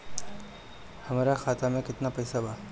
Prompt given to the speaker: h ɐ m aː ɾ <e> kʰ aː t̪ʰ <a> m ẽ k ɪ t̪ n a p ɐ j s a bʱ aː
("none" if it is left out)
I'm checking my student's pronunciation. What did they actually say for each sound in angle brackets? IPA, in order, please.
a, a

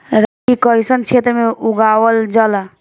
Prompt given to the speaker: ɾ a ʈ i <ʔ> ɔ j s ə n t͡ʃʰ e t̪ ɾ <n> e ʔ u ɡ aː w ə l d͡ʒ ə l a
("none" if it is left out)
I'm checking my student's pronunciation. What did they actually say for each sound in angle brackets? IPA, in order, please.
k, m

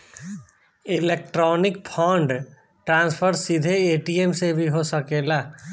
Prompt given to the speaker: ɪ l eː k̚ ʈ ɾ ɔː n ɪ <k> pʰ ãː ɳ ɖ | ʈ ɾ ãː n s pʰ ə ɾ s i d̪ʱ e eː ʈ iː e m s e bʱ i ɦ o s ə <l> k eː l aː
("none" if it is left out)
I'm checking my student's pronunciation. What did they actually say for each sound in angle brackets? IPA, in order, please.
k, none

